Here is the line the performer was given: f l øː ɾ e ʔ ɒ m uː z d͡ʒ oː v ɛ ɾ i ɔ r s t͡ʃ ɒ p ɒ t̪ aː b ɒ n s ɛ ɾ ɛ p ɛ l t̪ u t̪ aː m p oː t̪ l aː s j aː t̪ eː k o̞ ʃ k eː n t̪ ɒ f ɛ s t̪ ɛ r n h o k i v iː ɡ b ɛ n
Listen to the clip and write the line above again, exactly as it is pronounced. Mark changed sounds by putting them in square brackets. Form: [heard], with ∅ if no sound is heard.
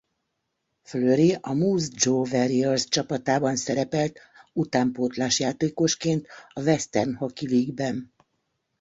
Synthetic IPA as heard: f l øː ɾ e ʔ ɒ m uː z d͡ʒ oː v ɛ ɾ i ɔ r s t͡ʃ ɒ p ɒ t̪ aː b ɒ n s ɛ ɾ ɛ p ɛ l t̪ u t̪ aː m p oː t̪ l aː [ʃ] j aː t̪ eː k o̞ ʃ k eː n t̪ ɒ [v] ɛ s t̪ ɛ r n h o k i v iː ɡ b ɛ n